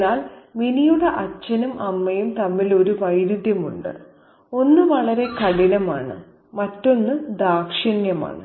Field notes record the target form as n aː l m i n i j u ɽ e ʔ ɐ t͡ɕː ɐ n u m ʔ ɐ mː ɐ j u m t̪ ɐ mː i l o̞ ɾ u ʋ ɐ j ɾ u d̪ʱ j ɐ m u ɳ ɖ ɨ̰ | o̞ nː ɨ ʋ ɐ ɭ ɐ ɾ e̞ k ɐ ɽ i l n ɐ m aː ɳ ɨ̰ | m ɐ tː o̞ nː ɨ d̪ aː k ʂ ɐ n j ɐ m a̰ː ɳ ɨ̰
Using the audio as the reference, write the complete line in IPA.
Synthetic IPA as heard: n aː l m i n i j u ɽ e ʔ ɐ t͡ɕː ɐ n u m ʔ ɐ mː ɐ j u m t̪ ɐ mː i l o̞ ɾ u ʋ ɐ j ɾ u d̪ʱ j ɐ m u ɳ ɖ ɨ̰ | o̞ nː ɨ ʋ ɐ ɭ ɐ ɾ e̞ k ɐ ɽ i n ɐ m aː ɳ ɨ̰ | m ɐ tː o̞ nː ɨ d̪ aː k ʂ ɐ n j ɐ m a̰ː ɳ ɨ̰